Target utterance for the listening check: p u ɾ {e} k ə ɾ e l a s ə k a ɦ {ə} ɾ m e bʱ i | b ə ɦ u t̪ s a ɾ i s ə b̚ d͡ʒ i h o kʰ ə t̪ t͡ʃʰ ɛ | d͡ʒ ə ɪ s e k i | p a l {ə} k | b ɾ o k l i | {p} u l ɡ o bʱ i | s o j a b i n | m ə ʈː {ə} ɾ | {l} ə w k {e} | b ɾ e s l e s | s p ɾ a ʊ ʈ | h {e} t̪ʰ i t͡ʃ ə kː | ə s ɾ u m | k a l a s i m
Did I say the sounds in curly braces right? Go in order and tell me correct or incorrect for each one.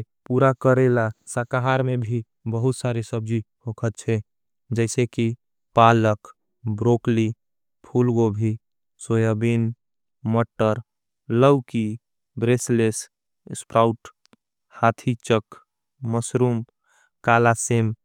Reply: incorrect: a, incorrect: a, correct, incorrect: pʰ, correct, correct, incorrect: i, incorrect: a

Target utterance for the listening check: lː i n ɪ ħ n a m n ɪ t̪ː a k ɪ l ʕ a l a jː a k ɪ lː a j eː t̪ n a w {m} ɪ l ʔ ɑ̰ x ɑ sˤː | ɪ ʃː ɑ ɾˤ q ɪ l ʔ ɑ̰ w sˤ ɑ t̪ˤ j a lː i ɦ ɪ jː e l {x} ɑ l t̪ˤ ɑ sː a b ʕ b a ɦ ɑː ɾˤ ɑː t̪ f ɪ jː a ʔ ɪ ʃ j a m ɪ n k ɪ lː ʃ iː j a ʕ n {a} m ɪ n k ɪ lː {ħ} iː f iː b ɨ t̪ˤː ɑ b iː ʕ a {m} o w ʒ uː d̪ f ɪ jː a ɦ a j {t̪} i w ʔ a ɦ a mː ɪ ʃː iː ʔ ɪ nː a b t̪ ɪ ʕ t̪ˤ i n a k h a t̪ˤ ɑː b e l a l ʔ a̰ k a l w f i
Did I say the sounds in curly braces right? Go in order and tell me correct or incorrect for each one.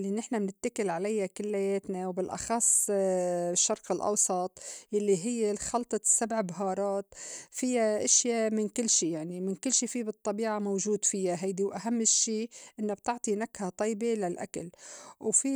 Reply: incorrect: b, correct, incorrect: i, incorrect: ʃ, correct, incorrect: d̪

